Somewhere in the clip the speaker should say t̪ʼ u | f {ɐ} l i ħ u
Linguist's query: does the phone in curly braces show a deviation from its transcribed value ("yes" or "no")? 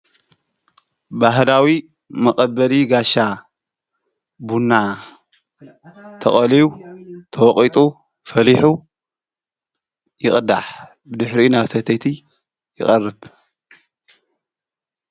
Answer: no